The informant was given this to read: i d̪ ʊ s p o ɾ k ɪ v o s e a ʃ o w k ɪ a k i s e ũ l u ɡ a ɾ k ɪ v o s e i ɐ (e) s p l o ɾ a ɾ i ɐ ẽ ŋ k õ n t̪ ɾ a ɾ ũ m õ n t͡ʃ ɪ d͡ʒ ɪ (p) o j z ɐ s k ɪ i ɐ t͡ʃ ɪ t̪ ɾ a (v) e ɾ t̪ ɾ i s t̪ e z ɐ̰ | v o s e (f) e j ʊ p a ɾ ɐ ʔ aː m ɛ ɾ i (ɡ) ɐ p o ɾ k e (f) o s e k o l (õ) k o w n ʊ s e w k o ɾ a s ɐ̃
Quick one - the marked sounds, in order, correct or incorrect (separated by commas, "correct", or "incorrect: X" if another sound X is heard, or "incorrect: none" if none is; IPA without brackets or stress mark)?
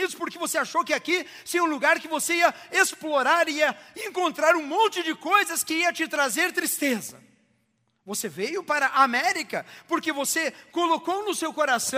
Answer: correct, incorrect: k, incorrect: z, incorrect: v, incorrect: k, incorrect: v, incorrect: o